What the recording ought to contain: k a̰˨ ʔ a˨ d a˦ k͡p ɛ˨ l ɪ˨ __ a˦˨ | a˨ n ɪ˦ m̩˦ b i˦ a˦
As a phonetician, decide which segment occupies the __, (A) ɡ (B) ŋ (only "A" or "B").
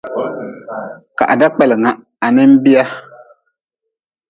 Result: B